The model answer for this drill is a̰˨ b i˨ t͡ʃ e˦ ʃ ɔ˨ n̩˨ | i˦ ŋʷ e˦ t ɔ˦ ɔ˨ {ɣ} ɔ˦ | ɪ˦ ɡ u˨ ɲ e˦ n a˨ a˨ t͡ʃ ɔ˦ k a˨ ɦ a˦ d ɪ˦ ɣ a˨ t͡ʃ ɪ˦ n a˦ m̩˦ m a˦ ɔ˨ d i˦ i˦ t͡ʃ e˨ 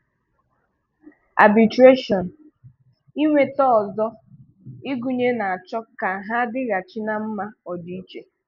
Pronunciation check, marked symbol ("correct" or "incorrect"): incorrect